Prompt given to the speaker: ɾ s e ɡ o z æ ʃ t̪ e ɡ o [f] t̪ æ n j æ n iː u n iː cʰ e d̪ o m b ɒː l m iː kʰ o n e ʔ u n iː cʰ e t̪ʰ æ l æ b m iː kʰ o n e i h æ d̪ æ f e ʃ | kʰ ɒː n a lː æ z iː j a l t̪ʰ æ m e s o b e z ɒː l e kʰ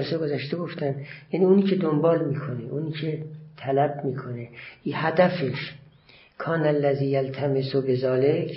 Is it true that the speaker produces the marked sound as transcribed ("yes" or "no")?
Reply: yes